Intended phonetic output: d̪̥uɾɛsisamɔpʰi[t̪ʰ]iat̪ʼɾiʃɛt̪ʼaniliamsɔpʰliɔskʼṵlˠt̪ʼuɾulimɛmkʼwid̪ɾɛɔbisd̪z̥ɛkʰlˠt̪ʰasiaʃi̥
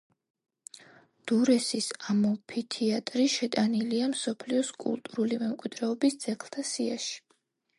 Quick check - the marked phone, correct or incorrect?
correct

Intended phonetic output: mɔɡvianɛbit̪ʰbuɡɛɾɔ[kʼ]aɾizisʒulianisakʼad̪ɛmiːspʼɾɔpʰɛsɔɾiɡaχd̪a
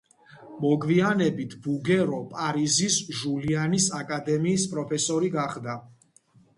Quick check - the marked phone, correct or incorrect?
incorrect: pʼ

